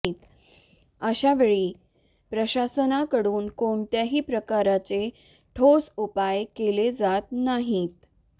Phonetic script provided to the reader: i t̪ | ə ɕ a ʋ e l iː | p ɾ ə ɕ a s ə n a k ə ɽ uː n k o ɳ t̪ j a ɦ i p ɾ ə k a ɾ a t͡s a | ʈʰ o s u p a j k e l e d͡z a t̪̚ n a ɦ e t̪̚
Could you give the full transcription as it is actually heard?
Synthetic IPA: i t̪ | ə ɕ a ʋ e ɭ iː | p ɾ ə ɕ a s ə n a k ə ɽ uː n k o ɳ t̪ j a ɦ iː p ɾ ə k a ɾ a t͡s e | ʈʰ o s u p a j k e l e d͡z a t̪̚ n a ɦ i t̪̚